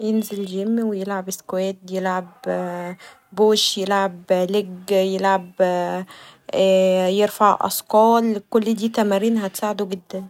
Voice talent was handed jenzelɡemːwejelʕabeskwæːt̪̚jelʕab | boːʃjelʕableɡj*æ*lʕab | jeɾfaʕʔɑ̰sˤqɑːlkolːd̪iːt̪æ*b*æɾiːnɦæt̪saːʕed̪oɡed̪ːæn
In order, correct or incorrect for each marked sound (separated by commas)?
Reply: incorrect, incorrect